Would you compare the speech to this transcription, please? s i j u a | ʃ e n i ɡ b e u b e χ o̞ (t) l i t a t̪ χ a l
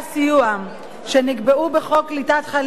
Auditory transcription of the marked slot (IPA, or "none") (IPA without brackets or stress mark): k